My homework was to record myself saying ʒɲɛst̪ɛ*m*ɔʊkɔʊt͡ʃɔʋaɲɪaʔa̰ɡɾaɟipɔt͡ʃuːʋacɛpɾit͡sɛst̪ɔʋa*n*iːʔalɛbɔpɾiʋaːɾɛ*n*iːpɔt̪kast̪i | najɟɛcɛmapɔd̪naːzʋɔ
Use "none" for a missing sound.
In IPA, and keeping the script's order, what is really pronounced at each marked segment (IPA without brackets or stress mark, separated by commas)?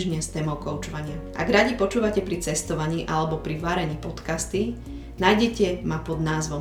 m, ɲ, ɲ